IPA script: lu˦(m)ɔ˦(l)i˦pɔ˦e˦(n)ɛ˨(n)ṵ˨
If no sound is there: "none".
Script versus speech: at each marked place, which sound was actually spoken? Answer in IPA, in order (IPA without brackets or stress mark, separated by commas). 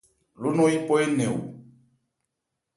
n, none, n, none